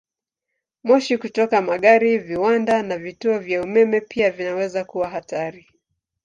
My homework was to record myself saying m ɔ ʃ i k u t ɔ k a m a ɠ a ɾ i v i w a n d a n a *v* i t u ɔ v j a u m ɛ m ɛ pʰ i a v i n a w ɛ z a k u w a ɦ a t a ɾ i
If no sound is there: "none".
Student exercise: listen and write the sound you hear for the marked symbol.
v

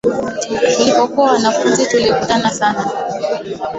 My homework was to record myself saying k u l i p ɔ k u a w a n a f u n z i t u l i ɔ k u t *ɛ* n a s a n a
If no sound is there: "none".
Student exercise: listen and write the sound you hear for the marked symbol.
a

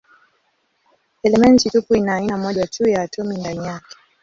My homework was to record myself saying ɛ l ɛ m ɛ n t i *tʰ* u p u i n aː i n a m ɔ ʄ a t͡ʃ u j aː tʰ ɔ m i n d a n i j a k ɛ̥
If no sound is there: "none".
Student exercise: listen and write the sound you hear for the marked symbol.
t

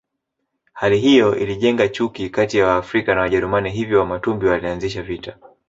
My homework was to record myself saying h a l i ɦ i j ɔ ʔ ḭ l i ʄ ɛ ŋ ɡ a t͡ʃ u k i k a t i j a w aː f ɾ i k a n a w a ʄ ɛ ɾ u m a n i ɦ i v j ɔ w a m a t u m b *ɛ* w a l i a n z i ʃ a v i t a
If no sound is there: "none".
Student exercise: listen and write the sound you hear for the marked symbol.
i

